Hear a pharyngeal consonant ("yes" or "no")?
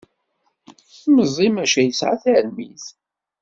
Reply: yes